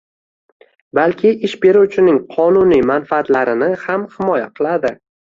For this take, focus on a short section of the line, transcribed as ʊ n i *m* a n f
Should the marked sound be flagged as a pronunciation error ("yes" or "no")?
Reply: no